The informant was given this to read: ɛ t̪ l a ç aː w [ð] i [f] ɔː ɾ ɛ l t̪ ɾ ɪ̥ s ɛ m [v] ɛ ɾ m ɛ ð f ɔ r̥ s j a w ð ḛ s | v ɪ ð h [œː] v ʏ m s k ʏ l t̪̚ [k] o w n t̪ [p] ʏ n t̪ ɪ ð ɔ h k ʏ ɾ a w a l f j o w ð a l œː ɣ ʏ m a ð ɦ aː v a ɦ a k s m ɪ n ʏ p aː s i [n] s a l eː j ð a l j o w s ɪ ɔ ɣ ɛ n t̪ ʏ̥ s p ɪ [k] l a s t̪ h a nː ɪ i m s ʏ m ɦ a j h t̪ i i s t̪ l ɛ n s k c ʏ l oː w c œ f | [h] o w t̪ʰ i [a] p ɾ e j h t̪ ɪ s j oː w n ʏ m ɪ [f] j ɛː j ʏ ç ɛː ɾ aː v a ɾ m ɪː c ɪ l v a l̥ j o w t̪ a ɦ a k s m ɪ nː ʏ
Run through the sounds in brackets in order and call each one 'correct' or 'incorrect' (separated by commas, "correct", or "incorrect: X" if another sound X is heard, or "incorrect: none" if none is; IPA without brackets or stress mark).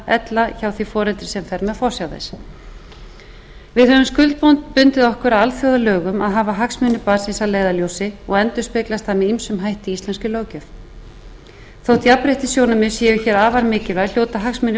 incorrect: θ, correct, incorrect: f, incorrect: œ, incorrect: p, correct, correct, correct, incorrect: θ, correct, incorrect: s